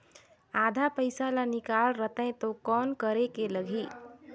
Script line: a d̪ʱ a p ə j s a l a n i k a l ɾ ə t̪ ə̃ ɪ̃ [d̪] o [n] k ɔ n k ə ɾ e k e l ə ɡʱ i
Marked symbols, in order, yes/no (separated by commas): no, no